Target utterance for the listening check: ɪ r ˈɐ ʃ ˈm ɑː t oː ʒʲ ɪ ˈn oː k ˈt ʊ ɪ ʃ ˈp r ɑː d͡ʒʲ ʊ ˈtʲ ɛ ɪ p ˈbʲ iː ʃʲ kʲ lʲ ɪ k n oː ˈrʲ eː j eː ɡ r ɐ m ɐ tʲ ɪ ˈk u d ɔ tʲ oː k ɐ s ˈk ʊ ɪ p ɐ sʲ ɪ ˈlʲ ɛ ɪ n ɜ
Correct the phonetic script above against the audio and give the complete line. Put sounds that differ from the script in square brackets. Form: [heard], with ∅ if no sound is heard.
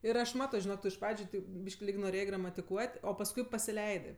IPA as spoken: ɪ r ˈɐ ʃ ˈm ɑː t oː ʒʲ ɪ ˈn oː k ˈt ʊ ɪ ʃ ˈp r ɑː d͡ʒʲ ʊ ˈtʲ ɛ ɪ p ˈbʲ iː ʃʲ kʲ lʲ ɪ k n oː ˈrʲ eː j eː ɡ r ɐ m ɐ tʲ ɪ ˈk u [∅] ɔ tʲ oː [p] ɐ s ˈk ʊ ɪ p ɐ sʲ ɪ ˈlʲ ɛ ɪ [d] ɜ